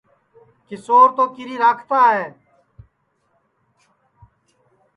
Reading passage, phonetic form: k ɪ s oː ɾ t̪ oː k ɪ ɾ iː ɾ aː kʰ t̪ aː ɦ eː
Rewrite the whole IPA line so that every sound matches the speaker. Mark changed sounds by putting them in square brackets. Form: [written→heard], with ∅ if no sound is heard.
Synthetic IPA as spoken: k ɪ s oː ɾ t̪ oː k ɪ ɾ iː ɾ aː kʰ t̪ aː ɦ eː